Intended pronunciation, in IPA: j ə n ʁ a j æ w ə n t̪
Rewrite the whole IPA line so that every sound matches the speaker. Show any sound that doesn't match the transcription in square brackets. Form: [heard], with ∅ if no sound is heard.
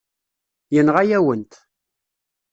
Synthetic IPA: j ə n ʁ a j æ w ə n t̪